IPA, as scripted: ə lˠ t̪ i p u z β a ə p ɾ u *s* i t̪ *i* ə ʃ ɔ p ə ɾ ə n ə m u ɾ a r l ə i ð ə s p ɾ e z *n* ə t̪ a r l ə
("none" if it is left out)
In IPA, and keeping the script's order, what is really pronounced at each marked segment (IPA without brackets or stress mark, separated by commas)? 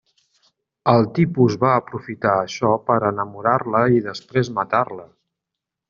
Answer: f, a, m